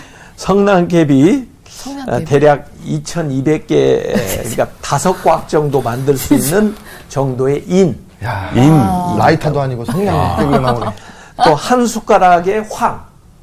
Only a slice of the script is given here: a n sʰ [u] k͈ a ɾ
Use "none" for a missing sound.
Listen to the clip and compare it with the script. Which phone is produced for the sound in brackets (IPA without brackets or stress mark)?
u